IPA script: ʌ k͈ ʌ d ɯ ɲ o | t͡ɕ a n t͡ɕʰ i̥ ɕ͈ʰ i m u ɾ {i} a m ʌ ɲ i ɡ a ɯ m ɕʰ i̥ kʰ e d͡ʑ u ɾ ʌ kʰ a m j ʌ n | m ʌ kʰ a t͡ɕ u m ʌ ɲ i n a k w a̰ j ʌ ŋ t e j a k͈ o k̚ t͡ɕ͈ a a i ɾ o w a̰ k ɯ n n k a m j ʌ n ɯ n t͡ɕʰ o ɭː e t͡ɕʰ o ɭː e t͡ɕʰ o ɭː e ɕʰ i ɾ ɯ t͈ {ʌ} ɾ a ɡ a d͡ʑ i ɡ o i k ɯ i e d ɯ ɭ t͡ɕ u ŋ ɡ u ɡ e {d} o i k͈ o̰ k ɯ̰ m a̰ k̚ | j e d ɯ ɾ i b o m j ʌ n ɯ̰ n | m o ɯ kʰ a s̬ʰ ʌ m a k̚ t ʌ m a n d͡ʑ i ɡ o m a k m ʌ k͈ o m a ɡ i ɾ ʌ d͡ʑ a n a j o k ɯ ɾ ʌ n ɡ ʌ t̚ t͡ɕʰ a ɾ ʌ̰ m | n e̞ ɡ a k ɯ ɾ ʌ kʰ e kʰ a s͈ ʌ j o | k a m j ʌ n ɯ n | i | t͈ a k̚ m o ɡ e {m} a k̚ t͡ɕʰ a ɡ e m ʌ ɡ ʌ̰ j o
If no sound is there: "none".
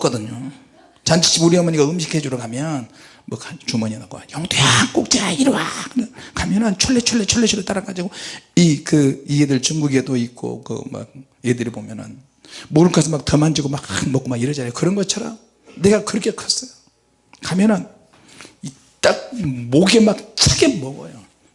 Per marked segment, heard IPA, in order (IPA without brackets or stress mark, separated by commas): i, a, d, m